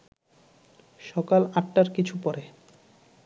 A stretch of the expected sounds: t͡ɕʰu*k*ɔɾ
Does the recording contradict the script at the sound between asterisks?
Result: yes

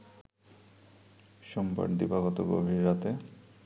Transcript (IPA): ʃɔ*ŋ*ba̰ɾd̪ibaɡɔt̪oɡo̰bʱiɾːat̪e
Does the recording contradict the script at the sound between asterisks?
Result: yes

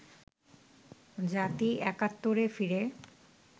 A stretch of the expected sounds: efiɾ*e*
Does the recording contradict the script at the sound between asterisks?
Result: no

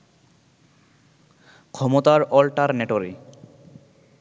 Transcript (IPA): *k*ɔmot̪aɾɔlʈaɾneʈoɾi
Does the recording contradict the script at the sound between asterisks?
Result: yes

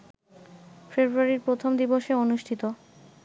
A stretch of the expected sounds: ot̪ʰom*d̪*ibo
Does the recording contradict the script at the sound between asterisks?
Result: no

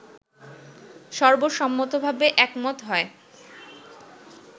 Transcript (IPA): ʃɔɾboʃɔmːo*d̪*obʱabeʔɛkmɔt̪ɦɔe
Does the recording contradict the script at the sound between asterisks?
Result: yes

